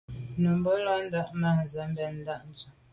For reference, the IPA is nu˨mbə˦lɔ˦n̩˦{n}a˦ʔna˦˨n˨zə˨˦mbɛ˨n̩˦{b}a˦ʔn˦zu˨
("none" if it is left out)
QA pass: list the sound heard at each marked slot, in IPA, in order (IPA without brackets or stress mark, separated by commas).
d, d